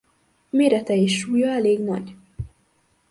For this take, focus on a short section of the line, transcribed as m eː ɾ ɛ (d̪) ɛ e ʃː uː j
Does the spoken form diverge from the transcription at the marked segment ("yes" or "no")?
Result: yes